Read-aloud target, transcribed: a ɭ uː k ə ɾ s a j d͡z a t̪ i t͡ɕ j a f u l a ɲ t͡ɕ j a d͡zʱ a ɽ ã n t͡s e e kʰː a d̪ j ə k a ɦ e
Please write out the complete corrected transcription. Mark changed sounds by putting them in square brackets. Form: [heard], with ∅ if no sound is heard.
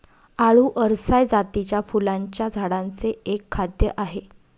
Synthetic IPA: a ɭ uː [ʔ] ə ɾ s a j d͡z a t̪ i t͡ɕ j a f u l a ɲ t͡ɕ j a d͡zʱ a ɽ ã n t͡s e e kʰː a d̪ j ə [ʔ] a ɦ e